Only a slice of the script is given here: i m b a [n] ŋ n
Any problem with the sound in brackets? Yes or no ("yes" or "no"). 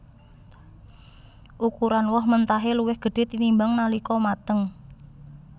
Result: yes